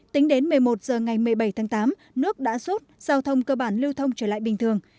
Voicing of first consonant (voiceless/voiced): voiceless